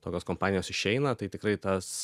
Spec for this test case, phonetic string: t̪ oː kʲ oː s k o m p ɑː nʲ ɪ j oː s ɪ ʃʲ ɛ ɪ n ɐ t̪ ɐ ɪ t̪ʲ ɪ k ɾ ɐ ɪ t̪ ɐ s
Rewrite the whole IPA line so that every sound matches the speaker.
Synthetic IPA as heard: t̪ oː kʲ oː s k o m p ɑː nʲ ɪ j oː s ɪ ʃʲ ɛ ɪ n ɐ t̪ ɐ ɪ t̪ʲ ɪ k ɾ ɐ ɪ t̪ ɐ s